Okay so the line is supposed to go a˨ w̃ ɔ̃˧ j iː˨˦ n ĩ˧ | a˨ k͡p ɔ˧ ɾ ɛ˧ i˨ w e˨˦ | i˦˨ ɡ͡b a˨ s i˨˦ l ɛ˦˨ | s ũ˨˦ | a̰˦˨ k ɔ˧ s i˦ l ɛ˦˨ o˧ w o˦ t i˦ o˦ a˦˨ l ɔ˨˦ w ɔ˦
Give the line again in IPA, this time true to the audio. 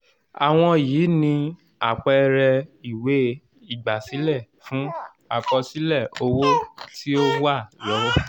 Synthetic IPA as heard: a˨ w̃ ɔ̃˧ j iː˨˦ n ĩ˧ | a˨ k͡p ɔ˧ ɾ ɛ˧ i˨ w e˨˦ | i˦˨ ɡ͡b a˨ s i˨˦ l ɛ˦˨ | f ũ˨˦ | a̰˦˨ k͡p ɔ˧ s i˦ l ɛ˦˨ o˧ w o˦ t i˦ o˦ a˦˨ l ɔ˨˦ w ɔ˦